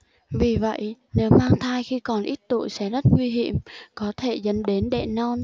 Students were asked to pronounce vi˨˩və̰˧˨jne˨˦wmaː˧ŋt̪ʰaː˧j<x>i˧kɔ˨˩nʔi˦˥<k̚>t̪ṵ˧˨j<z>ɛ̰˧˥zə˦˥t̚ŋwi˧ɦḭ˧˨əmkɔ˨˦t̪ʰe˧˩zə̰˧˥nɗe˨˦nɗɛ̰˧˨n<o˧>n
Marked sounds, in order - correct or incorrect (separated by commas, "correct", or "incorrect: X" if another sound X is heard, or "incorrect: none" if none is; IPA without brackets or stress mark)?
correct, incorrect: t̚, incorrect: s, incorrect: ɔ˧